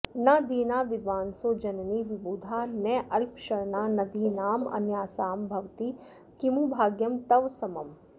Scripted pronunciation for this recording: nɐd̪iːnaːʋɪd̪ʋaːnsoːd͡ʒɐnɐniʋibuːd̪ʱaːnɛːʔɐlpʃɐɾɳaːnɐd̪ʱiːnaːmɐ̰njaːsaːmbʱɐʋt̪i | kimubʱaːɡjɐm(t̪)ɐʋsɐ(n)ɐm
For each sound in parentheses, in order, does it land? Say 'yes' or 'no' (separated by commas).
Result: yes, no